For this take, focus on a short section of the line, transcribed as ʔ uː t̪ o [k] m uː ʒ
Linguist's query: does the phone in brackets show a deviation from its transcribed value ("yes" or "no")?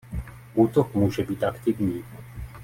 no